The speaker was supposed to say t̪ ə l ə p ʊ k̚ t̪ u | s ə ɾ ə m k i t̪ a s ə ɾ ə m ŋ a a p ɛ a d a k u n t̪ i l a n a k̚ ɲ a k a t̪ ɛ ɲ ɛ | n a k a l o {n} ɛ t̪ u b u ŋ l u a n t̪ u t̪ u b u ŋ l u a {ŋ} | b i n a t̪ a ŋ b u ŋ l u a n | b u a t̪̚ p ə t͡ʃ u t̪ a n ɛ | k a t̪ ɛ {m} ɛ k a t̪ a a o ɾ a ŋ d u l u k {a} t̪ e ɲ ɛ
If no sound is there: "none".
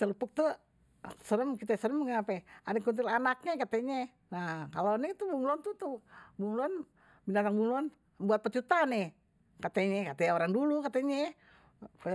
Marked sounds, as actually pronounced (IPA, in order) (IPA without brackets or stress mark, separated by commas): n, n, ɲ, a